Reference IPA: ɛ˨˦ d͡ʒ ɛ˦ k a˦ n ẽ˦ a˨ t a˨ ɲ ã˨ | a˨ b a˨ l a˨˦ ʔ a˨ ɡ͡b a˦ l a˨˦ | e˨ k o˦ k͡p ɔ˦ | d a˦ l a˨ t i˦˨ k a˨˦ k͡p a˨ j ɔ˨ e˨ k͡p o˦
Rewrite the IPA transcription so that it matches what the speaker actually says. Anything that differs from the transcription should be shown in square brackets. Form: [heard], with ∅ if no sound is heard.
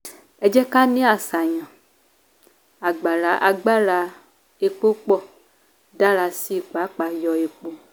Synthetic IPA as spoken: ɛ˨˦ d͡ʒ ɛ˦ k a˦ n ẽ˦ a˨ [s] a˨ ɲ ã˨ | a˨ [ɡ͡b] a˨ l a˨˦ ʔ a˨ ɡ͡b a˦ l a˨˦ | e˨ [k͡p] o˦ k͡p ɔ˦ | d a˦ l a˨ [s] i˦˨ [k͡p] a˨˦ k͡p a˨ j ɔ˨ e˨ k͡p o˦